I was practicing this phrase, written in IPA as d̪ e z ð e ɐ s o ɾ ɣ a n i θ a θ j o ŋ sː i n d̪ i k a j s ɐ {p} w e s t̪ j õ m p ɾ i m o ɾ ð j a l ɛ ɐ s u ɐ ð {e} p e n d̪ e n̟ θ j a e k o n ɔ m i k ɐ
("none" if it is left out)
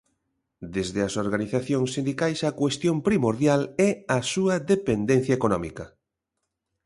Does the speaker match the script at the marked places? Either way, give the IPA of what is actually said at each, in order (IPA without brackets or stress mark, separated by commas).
k, e